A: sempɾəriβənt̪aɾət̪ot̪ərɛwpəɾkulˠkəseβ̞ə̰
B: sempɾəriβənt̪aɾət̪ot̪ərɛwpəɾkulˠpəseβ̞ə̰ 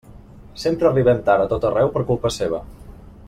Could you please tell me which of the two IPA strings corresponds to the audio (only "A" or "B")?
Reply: B